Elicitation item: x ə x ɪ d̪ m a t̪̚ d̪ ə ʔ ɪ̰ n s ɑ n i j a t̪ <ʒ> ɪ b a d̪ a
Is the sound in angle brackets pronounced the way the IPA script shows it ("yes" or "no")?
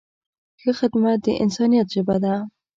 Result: yes